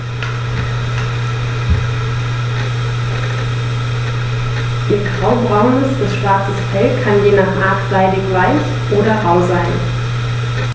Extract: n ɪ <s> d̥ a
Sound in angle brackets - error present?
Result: no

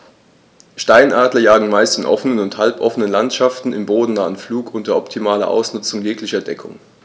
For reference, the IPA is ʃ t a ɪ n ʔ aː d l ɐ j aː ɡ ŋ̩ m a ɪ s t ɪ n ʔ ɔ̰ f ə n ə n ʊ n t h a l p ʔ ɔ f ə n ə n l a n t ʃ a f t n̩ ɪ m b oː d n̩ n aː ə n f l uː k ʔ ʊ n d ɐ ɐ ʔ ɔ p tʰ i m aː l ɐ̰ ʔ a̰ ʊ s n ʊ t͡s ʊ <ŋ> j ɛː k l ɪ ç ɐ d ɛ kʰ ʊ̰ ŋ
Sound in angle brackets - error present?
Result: no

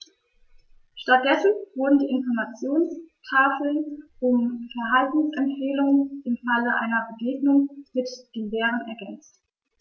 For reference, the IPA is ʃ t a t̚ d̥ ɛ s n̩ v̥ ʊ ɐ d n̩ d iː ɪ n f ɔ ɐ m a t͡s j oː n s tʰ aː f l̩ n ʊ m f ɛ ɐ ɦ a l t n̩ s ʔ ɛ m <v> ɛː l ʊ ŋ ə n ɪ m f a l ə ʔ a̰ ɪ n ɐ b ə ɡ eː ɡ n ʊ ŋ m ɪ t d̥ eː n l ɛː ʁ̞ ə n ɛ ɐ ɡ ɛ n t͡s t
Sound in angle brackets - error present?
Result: yes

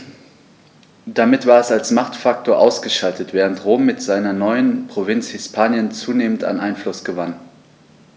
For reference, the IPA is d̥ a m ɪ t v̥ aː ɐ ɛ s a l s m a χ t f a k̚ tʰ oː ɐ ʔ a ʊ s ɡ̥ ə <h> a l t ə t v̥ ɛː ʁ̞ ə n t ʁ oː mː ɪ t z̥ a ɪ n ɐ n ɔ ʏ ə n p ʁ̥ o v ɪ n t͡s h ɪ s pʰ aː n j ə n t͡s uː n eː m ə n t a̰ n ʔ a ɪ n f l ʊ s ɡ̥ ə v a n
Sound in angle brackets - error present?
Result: yes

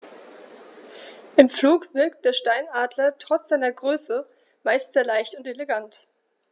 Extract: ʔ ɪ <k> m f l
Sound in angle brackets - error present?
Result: yes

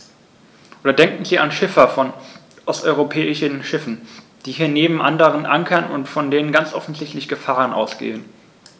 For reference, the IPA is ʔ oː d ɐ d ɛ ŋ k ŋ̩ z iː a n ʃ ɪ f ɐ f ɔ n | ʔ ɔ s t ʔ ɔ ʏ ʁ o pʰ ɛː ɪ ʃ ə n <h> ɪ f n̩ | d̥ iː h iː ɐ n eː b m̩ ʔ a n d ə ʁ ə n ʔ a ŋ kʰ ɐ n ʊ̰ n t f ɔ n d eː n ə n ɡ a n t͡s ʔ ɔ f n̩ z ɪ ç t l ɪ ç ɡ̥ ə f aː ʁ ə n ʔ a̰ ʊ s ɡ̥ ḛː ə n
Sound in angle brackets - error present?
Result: yes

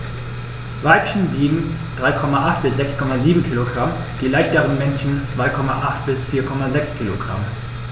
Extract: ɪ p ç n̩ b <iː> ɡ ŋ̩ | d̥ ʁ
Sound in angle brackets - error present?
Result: no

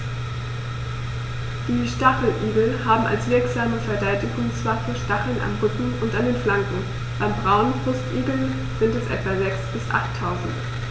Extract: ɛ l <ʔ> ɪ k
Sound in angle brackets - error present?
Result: yes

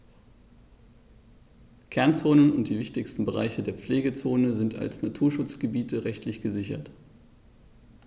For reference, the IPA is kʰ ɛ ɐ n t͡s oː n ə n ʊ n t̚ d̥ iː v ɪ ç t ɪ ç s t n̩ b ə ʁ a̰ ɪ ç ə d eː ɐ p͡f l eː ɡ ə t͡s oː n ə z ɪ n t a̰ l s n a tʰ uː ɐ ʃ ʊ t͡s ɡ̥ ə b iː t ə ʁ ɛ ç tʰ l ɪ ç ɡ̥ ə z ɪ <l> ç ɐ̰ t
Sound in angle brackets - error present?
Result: yes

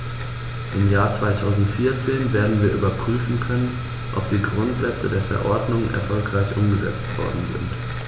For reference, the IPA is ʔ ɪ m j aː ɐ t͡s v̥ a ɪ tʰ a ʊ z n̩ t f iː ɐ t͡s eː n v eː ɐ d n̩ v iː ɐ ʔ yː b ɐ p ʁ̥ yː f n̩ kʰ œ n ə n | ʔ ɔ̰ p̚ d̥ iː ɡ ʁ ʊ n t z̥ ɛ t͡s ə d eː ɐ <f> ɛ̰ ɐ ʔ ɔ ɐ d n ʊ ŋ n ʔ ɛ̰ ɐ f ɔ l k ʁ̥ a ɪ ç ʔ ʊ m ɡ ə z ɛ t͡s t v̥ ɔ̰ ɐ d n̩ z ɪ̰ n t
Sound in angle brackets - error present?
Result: no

